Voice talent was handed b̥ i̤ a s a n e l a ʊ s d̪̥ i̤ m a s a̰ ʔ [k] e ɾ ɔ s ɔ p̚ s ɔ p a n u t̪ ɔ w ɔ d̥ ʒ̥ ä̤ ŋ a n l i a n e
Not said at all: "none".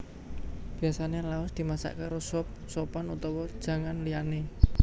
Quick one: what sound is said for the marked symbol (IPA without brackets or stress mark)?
k